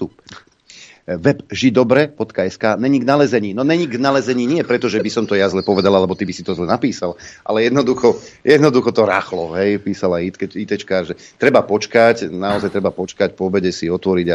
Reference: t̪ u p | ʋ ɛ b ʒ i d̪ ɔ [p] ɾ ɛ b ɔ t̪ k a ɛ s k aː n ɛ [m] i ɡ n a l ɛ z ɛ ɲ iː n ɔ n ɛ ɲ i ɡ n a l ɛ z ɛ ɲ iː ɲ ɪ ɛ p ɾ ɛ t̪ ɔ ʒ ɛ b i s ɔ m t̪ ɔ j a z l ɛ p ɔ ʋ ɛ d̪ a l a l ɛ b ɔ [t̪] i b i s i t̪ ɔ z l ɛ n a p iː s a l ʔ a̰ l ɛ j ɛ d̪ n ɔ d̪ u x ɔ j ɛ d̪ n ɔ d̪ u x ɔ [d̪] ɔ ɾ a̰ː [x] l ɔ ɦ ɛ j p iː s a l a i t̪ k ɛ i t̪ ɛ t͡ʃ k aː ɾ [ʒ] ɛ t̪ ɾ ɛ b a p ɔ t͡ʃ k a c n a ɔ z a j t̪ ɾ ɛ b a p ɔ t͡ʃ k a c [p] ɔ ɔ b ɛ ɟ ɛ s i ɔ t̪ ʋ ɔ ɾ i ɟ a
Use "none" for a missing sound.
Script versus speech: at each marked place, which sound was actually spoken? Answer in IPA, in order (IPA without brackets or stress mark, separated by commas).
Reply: b, ɲ, t̪, t̪, x, ʒ, p